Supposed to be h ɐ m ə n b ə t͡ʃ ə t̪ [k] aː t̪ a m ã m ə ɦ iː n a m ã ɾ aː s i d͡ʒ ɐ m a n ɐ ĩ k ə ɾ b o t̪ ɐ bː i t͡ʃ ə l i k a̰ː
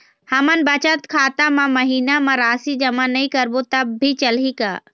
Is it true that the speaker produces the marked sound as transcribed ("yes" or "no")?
no